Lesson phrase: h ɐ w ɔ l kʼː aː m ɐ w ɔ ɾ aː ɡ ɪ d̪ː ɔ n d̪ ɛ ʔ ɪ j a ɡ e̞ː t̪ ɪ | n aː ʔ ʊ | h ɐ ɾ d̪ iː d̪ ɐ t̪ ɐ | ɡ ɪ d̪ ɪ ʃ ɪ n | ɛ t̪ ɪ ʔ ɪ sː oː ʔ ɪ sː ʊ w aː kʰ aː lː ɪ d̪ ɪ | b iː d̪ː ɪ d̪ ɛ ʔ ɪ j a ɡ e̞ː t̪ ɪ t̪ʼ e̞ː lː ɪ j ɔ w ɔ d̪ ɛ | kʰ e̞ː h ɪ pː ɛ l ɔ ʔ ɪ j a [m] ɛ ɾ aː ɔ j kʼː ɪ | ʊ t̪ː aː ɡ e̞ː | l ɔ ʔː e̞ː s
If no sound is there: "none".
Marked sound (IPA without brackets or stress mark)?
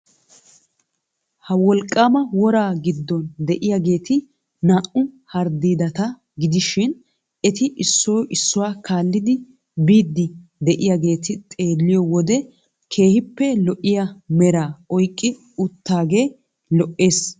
m